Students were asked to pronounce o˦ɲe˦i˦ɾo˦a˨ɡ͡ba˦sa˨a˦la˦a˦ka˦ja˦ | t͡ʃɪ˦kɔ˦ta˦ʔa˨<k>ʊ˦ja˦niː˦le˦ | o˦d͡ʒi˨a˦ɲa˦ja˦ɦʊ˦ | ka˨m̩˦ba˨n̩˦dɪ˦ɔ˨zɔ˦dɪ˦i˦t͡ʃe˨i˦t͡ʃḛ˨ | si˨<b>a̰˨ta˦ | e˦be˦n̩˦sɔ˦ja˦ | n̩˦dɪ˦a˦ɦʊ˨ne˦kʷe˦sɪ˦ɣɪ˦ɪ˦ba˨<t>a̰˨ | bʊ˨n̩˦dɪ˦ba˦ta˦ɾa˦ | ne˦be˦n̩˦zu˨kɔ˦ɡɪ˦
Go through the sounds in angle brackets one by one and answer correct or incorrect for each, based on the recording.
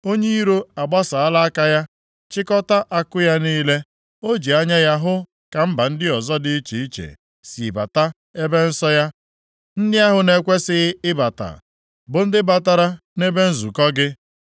correct, correct, correct

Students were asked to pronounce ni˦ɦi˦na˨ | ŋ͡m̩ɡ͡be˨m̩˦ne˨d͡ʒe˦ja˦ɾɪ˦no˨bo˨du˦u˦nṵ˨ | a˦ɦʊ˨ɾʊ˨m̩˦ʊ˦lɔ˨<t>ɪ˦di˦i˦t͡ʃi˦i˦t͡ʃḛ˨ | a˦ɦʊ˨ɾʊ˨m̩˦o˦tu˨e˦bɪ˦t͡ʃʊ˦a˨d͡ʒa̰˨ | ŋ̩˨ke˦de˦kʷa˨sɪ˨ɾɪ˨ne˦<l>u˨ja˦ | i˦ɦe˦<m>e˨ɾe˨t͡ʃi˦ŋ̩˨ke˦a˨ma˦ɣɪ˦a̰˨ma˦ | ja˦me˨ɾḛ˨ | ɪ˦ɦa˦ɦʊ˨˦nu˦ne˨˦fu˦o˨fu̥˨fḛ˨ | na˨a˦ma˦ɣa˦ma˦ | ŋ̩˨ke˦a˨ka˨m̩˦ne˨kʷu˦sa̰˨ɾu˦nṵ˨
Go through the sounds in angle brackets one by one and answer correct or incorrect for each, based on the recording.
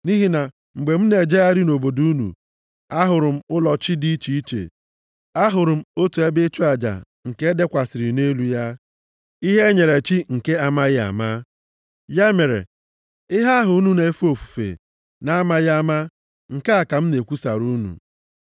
incorrect: t͡ʃ, correct, incorrect: ɲ

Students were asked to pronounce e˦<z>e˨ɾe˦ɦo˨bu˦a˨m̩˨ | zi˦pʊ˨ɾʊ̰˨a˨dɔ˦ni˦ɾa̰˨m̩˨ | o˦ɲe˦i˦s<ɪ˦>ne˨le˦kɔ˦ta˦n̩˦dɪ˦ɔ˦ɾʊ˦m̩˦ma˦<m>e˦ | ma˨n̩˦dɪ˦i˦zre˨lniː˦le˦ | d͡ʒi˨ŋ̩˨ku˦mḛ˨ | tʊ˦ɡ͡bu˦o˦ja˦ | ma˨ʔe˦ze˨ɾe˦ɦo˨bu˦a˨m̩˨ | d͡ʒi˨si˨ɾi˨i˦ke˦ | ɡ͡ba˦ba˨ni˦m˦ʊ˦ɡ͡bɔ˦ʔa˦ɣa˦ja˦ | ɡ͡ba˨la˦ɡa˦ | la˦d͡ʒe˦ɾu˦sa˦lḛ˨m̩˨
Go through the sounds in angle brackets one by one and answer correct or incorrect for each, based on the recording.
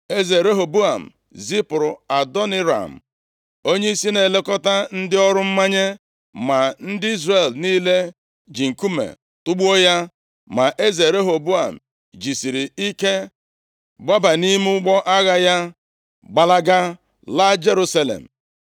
correct, incorrect: i˦, incorrect: ɲ

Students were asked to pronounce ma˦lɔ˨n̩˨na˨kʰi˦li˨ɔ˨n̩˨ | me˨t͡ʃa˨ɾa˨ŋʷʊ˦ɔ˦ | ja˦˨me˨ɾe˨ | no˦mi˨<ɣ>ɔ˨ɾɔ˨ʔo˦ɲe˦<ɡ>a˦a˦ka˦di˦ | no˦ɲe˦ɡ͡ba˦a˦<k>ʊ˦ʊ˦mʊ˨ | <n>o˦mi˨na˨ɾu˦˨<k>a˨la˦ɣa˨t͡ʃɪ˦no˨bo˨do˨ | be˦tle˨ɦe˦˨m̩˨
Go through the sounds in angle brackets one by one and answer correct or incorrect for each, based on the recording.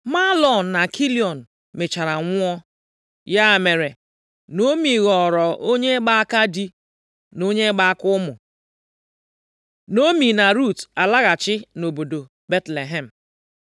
correct, incorrect: ɡ͡b, correct, correct, incorrect: t

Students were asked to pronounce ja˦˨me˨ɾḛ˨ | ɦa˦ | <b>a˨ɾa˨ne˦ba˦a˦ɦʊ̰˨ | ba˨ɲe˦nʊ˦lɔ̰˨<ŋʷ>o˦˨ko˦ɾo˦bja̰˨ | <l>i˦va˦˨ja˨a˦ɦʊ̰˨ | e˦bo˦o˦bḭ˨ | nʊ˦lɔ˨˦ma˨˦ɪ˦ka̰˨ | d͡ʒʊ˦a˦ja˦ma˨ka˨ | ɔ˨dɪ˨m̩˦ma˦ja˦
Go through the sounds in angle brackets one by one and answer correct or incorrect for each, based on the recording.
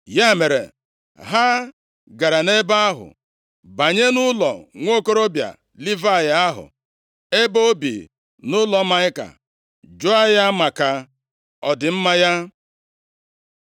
incorrect: ɡ, correct, correct

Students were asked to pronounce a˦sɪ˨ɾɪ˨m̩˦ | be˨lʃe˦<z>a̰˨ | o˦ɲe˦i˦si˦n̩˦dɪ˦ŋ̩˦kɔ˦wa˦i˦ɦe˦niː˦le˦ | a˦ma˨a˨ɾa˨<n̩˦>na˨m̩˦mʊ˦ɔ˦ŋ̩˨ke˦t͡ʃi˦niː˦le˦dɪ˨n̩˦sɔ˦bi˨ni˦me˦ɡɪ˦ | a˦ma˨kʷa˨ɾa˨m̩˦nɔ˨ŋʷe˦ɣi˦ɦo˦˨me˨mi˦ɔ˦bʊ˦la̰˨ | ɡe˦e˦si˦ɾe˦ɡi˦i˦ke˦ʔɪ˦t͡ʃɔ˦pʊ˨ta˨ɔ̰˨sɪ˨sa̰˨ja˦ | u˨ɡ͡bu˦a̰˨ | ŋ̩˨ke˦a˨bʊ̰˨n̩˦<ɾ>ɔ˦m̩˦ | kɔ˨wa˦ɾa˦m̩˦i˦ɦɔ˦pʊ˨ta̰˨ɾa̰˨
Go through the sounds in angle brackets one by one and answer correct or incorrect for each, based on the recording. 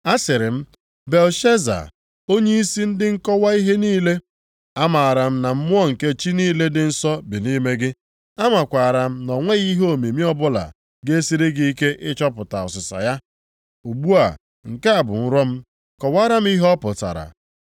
correct, incorrect: m̩˦, correct

